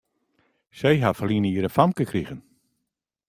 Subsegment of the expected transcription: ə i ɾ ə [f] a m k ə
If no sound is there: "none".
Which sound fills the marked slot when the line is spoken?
f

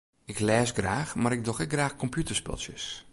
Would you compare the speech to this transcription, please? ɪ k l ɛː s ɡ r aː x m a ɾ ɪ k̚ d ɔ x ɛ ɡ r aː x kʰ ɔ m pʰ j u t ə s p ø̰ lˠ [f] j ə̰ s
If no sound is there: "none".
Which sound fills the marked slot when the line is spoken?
s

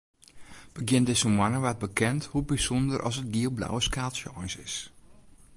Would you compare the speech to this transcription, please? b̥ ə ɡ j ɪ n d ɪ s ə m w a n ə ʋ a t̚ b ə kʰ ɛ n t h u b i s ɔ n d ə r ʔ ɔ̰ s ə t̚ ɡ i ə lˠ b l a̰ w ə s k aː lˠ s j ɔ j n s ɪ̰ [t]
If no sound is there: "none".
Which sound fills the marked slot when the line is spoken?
s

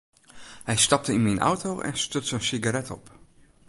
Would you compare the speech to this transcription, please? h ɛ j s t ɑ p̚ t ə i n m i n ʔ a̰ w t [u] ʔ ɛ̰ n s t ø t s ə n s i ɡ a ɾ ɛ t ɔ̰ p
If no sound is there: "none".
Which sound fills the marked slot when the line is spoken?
o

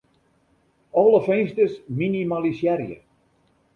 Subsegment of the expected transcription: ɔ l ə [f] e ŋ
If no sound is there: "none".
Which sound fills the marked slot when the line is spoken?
f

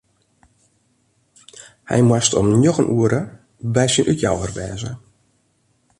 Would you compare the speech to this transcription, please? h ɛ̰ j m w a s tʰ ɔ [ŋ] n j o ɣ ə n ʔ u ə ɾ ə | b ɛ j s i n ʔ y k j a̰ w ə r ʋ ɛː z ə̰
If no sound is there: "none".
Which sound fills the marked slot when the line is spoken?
m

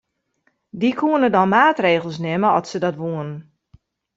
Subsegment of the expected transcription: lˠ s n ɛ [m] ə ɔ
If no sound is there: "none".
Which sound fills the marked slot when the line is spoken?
m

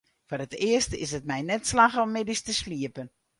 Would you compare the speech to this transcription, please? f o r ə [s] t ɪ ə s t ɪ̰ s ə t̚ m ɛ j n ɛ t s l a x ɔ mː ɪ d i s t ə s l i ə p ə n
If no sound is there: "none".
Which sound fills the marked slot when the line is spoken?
none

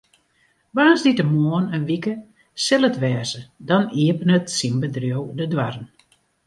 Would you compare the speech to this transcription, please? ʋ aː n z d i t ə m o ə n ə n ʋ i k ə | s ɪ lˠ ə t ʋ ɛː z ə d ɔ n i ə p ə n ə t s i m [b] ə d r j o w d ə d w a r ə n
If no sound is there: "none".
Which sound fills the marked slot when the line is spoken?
b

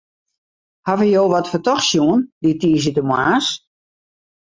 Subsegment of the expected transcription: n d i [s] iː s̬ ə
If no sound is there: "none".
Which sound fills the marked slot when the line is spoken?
t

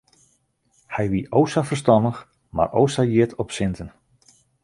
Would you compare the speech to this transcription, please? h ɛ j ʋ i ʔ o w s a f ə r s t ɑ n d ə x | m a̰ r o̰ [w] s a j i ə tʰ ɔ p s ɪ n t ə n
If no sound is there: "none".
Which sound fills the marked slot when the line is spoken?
w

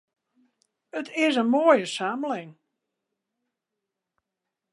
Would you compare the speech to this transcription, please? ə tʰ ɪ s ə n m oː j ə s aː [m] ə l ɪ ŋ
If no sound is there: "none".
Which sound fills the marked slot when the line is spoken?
m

